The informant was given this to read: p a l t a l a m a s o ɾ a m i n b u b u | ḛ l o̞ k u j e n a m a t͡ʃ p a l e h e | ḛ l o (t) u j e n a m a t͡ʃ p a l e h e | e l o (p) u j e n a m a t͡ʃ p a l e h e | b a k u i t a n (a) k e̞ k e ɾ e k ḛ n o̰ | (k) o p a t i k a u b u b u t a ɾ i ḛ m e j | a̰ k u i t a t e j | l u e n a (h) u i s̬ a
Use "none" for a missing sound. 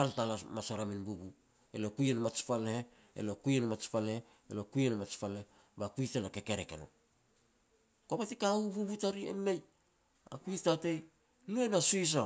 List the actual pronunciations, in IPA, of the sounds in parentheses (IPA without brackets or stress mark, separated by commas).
k, k, a, k, s